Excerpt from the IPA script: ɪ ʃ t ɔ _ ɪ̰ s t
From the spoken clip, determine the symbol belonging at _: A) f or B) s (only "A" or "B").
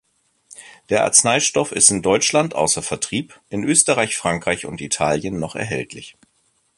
A